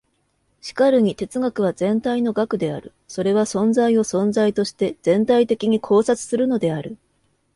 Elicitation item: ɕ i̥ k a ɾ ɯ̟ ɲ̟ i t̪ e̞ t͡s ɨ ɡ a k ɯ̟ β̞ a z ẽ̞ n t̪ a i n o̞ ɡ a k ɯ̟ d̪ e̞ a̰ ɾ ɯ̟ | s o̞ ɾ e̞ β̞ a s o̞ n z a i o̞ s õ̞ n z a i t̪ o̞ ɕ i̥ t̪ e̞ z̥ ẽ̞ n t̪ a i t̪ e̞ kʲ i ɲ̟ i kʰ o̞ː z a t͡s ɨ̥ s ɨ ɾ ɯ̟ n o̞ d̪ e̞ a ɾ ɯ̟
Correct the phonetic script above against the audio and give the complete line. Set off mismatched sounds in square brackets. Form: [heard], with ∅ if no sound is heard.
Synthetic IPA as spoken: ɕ i̥ k a ɾ ɯ̟ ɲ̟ i t̪ e̞ t͡s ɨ ɡ a k ɯ̟ β̞ a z ẽ̞ n t̪ a i n o̞ ɡ a k ɯ̟ d̪ e̞ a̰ ɾ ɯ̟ | s o̞ ɾ e̞ β̞ a s [õ̞] n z a i o̞ s õ̞ n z a i t̪ o̞ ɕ i̥ t̪ e̞ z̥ ẽ̞ n t̪ a i t̪ e̞ kʲ i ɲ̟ i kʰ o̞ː [s] a t͡s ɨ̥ s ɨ ɾ ɯ̟ n o̞ d̪ e̞ a ɾ ɯ̟